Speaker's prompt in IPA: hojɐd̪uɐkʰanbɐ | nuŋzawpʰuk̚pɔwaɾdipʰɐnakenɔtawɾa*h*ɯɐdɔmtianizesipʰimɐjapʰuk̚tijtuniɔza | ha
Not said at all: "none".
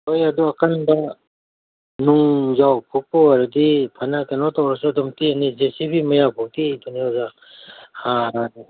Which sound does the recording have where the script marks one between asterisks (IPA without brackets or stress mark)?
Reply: s